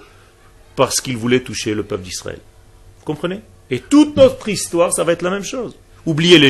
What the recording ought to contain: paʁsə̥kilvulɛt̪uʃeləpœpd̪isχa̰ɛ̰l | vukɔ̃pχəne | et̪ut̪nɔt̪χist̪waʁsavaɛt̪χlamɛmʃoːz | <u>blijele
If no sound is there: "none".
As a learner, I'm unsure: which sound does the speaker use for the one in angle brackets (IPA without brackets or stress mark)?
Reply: u